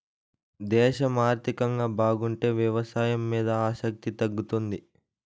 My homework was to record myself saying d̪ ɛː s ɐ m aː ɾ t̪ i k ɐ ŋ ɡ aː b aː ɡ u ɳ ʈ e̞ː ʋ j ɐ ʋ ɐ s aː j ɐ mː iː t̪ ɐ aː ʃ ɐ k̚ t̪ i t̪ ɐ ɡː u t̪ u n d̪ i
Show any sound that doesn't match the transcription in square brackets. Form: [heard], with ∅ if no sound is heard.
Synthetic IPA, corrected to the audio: d̪ ɛː [ʃ] ɐ m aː ɾ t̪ i k ɐ ŋ ɡ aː b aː ɡ u ɳ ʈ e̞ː ʋ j ɐ ʋ ɐ s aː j ɐ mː iː [d̪] ɐ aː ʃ ɐ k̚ t̪ i t̪ ɐ ɡː u t̪ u n d̪ i